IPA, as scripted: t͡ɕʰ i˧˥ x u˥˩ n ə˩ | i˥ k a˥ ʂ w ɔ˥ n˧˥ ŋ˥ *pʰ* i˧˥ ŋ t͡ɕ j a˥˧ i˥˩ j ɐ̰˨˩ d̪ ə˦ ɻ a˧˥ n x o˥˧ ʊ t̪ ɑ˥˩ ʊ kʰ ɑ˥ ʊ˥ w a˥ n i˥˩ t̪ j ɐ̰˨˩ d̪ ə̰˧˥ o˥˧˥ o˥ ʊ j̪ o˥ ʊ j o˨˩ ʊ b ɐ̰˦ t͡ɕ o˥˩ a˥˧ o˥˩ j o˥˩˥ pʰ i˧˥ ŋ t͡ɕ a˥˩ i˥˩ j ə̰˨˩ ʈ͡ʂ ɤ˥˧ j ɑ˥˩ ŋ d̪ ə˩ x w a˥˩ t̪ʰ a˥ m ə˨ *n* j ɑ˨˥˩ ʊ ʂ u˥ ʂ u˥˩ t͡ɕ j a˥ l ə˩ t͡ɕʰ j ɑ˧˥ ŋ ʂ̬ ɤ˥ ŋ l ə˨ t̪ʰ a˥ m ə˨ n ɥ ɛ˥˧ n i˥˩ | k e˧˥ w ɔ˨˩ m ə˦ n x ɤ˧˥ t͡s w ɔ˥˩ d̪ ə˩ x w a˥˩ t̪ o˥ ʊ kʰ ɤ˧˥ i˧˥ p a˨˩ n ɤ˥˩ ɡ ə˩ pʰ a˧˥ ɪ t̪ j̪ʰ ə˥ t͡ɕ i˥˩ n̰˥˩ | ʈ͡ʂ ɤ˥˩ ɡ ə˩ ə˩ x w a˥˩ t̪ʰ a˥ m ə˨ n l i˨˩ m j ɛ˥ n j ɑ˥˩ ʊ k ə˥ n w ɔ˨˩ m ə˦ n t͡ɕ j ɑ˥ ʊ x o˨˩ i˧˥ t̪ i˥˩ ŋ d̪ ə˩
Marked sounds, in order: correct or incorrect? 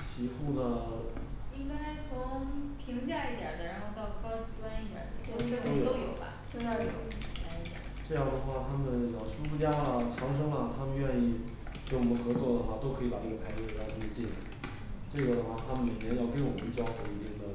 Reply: correct, correct

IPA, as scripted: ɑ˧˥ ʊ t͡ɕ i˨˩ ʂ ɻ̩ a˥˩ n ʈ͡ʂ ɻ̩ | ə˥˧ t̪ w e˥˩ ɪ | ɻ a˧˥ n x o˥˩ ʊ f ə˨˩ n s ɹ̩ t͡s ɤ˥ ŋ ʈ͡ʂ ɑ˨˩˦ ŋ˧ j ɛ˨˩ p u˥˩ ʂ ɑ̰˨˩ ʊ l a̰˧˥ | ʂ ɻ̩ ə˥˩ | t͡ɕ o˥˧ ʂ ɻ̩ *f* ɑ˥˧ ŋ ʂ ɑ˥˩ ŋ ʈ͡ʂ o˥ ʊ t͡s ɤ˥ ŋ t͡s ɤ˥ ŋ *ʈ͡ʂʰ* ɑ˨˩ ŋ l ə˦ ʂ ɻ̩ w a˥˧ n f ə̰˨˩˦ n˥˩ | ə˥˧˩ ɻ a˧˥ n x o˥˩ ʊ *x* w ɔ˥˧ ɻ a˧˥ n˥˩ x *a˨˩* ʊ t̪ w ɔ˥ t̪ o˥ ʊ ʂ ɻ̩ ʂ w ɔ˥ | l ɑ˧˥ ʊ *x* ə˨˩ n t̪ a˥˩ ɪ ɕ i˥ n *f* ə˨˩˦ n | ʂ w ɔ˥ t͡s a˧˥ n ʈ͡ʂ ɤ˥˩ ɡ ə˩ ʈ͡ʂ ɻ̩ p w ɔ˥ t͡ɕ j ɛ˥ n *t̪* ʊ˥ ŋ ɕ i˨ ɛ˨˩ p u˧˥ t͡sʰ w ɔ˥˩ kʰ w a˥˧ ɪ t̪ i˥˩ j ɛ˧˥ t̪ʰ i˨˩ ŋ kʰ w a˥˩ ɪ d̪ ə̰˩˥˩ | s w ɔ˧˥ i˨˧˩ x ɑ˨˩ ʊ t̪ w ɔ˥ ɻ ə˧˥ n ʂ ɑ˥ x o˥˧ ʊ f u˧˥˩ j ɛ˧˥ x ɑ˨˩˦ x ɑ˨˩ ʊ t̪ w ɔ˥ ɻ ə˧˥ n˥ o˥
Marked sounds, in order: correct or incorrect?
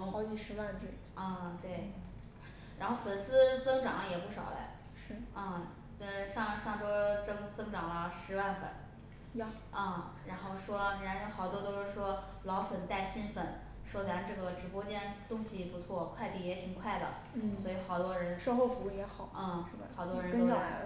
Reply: incorrect: ʂ, incorrect: ʈ͡ʂ, incorrect: ʂ, incorrect: ɑ˨˩, incorrect: f, correct, correct

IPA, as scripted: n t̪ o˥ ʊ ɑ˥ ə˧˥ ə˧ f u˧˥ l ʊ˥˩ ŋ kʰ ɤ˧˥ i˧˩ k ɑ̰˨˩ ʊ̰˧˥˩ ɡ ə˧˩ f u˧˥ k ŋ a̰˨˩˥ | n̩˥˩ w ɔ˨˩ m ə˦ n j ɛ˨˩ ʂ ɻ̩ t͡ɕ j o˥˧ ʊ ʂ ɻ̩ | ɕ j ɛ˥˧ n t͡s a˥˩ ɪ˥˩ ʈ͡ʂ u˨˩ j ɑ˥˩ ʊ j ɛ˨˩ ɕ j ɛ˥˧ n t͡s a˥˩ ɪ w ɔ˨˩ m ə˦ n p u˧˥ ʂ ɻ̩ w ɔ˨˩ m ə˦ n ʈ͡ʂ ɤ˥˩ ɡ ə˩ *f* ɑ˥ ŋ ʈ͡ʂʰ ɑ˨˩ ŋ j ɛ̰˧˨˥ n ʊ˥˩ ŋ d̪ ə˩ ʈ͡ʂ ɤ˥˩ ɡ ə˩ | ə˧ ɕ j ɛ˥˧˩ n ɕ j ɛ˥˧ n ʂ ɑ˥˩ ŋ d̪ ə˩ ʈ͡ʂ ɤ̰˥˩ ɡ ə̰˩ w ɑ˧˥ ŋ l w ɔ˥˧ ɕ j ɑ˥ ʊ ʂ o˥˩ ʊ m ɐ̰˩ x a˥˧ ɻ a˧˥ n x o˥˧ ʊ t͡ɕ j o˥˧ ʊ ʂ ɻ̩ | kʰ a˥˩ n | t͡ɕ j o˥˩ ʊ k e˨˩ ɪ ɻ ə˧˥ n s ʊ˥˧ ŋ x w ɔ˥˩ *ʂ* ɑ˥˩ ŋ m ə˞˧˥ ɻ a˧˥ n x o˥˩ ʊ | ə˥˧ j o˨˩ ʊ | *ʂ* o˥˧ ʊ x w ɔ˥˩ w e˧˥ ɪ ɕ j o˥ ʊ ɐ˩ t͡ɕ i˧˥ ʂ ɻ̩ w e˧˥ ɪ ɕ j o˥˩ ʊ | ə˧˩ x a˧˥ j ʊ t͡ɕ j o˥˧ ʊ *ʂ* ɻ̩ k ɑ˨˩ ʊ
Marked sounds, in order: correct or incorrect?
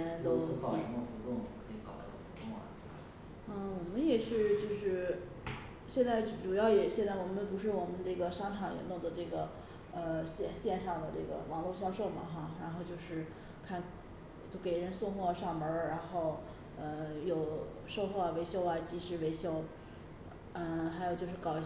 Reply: incorrect: ʂ, correct, correct, correct

